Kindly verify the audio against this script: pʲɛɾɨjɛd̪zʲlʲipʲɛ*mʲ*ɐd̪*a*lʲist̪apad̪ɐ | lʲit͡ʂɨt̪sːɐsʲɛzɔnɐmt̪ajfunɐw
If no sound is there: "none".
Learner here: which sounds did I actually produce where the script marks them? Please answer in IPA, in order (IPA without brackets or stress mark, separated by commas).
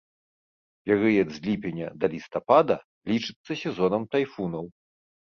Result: nʲ, ɐ